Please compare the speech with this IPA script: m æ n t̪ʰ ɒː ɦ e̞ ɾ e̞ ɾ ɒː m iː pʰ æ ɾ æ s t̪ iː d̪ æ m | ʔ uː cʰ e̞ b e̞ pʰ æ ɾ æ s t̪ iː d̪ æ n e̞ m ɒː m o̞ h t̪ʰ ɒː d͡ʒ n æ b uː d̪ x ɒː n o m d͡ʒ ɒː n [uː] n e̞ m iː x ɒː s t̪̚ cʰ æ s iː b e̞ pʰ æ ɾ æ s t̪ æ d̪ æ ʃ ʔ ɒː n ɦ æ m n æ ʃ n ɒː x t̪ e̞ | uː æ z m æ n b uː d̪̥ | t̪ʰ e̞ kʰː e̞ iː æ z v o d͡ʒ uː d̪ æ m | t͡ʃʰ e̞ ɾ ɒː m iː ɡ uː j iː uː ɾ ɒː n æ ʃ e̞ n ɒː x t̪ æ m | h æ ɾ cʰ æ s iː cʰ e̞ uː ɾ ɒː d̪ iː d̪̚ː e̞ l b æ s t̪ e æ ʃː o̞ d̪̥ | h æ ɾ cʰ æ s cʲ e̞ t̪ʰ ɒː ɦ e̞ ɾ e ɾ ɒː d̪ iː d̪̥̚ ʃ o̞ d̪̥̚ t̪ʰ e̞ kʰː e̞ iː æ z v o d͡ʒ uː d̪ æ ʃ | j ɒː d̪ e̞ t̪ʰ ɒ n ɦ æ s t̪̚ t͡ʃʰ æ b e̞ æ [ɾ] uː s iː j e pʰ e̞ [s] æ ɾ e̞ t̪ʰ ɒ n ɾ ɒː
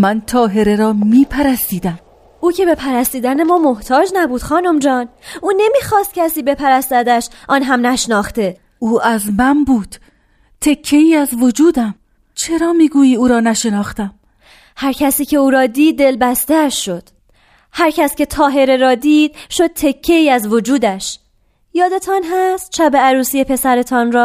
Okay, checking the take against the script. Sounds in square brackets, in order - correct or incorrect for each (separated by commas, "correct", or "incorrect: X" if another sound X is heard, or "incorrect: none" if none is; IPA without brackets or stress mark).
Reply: correct, correct, correct